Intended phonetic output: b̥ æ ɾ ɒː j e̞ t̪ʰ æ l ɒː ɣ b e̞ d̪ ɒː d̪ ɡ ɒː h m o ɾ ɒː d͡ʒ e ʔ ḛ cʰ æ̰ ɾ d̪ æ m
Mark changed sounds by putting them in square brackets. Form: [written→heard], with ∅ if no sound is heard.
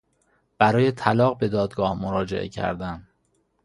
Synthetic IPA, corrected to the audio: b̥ æ ɾ ɒː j e̞ t̪ʰ æ l ɒː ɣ b e̞ d̪ ɒː d̪ ɡ ɒː h m o ɾ ɒː d͡ʒ e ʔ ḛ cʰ æ̰ ɾ d̪ æ m